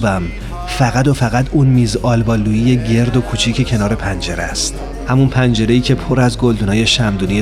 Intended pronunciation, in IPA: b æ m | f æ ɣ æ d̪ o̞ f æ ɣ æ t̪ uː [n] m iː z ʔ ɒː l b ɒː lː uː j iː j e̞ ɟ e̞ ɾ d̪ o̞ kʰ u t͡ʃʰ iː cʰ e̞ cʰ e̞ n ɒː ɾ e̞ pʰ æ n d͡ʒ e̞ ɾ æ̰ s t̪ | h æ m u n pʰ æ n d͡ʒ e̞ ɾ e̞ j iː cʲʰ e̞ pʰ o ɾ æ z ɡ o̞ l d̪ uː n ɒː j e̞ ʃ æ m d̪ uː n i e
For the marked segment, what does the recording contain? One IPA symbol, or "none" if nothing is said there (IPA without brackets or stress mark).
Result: n